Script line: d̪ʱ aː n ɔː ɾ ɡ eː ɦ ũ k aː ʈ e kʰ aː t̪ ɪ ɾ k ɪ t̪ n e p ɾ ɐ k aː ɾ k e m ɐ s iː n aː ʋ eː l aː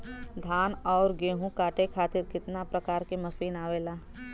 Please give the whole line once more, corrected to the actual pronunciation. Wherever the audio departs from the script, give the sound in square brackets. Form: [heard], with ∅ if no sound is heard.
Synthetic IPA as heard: d̪ʱ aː n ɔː ɾ ɡ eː ɦ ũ k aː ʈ e kʰ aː t̪ ɪ ɾ k ɪ t̪ n [a] p ɾ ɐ k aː ɾ k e m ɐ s iː n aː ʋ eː l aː